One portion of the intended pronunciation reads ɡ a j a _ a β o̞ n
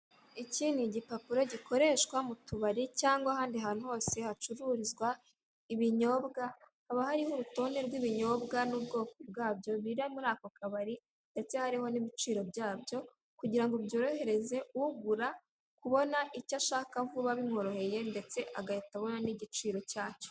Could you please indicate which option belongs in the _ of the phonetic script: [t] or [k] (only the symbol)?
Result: t